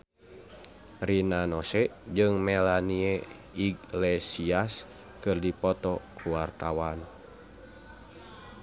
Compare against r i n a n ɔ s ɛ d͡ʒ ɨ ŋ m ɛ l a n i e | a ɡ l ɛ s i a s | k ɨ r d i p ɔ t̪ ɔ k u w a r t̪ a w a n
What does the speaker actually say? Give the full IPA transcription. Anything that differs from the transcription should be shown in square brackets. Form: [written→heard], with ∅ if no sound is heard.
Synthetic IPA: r i n a n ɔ s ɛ d͡ʒ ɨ ŋ m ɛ l a n i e | [a→i] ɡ l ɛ s i a s | k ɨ r d i p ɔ t̪ ɔ k u w a r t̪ a w a n